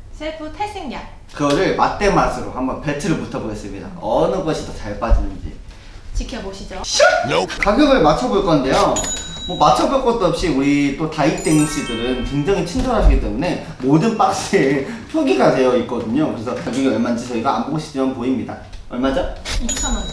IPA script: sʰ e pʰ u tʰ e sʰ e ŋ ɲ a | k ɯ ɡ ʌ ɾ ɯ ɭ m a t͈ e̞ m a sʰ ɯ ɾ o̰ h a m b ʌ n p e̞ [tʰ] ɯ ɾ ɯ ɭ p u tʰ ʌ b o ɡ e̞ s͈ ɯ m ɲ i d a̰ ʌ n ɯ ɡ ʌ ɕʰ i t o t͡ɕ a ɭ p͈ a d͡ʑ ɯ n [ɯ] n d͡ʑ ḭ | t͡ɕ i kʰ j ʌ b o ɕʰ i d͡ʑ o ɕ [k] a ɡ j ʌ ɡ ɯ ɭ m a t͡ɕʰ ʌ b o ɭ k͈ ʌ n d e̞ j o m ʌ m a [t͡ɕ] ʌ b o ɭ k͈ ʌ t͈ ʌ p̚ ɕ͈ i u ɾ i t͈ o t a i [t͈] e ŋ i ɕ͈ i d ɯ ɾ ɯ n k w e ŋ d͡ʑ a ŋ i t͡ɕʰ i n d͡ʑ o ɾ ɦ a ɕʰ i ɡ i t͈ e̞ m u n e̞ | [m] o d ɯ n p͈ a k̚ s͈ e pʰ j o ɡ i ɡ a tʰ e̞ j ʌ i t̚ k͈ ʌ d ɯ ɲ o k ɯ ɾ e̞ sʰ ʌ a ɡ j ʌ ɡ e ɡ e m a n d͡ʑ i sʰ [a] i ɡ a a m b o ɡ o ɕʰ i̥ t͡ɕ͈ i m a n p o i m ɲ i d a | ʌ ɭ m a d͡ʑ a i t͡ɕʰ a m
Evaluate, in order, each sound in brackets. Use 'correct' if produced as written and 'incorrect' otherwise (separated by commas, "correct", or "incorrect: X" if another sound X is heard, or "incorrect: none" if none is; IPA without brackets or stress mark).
correct, correct, correct, incorrect: t͡ɕʰ, correct, correct, incorrect: ʌ